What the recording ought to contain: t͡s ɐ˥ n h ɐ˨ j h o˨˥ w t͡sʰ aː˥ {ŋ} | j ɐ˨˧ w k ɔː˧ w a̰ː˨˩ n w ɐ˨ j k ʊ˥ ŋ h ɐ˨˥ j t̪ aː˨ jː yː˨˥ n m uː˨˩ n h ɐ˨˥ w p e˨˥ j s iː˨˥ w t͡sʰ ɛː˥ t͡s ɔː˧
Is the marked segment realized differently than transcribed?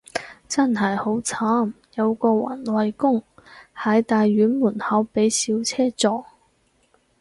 yes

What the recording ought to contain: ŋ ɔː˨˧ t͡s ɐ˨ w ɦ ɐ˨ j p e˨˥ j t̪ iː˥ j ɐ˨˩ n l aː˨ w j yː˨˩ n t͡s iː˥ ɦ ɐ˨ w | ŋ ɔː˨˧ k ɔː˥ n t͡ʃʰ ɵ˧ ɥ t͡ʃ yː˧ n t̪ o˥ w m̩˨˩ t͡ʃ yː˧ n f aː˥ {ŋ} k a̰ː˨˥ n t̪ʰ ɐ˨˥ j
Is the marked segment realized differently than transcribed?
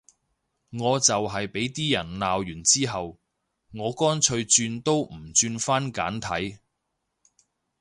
yes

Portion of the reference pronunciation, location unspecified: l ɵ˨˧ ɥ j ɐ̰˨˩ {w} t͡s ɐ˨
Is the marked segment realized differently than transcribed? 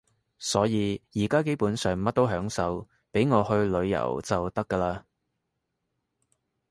no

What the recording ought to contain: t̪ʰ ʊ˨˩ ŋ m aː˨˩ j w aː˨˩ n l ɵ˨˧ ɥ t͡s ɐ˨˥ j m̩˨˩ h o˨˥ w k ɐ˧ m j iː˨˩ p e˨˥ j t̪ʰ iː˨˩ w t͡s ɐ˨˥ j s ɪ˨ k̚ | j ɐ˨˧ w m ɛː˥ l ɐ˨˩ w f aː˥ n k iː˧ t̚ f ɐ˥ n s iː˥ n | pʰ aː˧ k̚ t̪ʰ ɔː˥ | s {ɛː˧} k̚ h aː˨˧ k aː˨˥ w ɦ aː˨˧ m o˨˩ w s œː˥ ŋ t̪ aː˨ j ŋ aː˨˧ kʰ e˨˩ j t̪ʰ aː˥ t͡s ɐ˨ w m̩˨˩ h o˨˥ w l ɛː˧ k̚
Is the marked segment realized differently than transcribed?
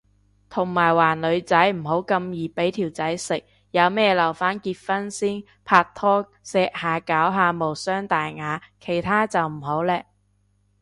no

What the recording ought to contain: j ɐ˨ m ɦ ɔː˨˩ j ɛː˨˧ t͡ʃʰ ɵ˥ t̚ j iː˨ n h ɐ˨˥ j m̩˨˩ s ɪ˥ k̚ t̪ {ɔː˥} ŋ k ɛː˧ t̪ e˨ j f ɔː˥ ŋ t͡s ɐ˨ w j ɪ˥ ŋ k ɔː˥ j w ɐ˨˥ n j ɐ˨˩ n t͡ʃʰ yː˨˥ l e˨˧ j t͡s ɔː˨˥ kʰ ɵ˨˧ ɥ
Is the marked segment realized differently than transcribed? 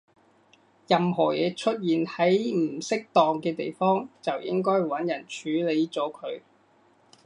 yes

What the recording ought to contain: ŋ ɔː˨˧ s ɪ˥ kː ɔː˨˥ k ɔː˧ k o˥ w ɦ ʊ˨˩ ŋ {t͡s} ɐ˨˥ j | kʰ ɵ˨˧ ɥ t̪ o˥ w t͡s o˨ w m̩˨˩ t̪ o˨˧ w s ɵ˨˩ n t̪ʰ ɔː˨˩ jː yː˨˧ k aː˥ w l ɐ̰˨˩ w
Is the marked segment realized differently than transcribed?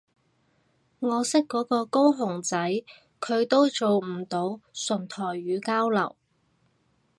no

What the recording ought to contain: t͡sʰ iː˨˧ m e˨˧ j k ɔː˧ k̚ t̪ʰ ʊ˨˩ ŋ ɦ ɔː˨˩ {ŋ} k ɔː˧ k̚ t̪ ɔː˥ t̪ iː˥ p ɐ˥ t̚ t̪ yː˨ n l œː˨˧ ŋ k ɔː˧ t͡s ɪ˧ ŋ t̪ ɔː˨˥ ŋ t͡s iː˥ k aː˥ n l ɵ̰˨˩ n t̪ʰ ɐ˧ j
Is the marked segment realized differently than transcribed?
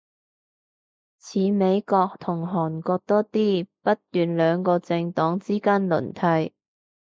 yes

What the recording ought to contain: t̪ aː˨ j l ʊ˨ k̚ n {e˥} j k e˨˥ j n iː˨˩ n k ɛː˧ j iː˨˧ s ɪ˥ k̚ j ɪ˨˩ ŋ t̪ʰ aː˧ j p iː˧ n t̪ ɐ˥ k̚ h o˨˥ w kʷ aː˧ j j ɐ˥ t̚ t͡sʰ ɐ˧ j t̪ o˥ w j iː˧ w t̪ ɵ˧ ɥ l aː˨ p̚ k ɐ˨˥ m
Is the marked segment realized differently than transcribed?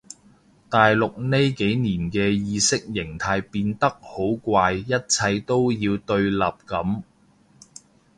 no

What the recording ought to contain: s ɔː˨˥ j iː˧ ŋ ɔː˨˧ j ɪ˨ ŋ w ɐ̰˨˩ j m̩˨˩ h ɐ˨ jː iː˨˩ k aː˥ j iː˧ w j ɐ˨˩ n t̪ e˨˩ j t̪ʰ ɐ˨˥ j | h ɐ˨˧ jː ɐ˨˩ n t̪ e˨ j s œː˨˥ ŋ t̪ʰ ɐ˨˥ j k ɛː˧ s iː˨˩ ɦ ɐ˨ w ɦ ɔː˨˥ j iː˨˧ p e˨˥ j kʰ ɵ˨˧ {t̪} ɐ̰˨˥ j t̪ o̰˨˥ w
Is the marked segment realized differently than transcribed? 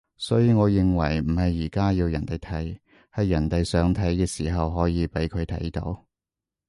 yes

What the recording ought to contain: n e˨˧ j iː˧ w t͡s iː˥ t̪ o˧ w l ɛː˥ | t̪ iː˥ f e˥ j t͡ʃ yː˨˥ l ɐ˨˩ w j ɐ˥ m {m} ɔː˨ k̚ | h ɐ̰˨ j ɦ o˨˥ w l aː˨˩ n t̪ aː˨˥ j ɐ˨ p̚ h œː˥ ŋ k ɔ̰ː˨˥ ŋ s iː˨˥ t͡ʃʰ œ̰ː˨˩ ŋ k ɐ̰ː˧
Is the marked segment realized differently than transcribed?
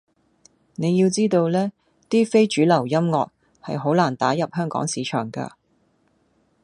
yes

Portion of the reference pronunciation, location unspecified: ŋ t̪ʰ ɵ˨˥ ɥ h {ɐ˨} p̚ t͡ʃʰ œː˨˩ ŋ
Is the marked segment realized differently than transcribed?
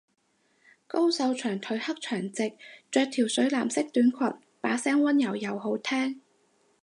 yes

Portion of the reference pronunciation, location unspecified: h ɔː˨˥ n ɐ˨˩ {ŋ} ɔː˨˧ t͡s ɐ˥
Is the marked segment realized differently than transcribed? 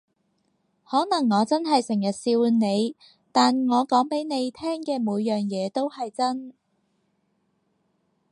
yes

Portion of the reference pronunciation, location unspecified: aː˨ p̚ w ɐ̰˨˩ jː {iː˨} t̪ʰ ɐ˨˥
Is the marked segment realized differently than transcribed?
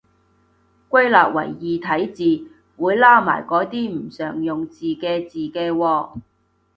no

